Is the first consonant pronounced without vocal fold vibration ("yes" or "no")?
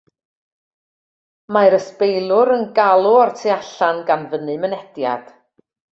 no